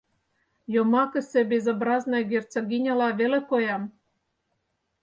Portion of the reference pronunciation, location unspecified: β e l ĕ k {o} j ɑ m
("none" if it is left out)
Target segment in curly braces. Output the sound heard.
o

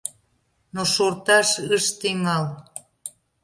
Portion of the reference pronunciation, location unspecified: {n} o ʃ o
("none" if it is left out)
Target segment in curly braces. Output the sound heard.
n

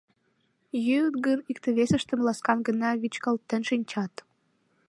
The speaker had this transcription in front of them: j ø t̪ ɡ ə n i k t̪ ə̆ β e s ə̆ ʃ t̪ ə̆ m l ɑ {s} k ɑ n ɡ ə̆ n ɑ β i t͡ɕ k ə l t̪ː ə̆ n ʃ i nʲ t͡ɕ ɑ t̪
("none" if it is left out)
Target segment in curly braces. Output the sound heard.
s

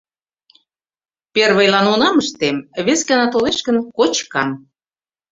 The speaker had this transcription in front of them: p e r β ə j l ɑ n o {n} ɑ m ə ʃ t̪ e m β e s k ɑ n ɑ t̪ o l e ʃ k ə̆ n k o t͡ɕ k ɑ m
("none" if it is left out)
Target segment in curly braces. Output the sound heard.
n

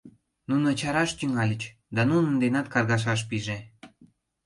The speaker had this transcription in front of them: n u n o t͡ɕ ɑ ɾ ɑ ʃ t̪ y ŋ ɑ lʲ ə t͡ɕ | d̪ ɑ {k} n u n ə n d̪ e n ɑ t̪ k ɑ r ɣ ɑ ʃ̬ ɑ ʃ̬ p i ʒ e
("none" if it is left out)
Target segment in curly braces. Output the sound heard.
none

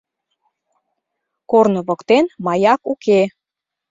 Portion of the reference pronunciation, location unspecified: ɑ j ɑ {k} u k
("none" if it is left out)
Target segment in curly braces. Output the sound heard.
k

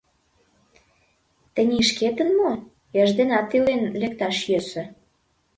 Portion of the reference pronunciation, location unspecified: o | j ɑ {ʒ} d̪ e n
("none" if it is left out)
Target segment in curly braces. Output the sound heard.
ʒ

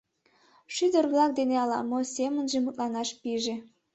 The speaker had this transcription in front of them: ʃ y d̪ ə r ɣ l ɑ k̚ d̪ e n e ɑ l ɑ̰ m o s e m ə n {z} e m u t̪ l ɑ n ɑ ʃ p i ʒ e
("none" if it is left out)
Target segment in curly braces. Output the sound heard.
ʒ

